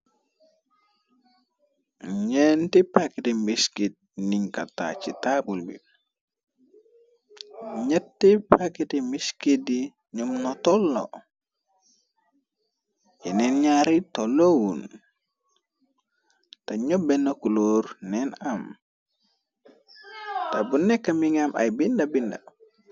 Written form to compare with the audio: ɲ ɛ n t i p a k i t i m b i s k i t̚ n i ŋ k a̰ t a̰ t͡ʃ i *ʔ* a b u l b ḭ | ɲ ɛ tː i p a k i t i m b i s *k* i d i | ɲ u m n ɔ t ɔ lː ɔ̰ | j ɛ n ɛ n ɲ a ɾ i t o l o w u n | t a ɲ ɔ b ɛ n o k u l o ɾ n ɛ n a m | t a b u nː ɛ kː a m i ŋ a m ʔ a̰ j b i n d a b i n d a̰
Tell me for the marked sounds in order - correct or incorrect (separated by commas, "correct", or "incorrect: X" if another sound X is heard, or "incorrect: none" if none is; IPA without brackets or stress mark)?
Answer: incorrect: t, correct